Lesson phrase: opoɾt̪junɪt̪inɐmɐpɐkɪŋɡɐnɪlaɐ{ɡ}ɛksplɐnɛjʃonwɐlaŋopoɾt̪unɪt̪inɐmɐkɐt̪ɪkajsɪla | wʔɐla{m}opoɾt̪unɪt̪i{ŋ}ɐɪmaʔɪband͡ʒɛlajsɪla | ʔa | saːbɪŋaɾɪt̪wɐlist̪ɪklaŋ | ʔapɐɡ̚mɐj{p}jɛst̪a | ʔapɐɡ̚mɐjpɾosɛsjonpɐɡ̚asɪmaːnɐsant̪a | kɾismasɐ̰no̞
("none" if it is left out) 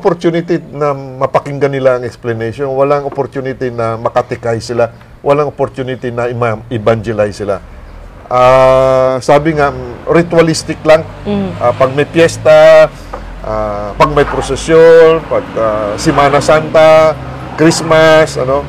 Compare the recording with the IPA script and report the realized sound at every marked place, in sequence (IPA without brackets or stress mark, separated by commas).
ŋ, ŋ, n, p